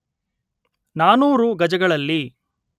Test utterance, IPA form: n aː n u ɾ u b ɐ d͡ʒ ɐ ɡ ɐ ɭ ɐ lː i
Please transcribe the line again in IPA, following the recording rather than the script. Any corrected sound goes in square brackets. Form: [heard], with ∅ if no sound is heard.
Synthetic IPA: n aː n [uː] ɾ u [ɡ] ɐ d͡ʒ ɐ ɡ ɐ ɭ ɐ lː i